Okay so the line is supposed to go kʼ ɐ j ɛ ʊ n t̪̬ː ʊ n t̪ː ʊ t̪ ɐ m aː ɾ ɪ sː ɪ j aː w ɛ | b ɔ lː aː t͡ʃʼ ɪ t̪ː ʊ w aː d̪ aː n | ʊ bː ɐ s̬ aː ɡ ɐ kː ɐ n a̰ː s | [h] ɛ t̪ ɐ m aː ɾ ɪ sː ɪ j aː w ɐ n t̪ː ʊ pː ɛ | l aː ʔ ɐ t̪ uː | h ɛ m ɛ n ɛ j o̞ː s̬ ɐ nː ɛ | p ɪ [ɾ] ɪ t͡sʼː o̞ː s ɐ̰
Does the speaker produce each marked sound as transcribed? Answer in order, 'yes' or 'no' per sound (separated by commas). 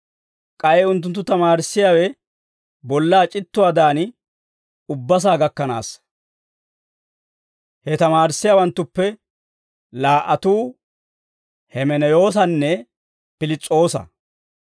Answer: yes, no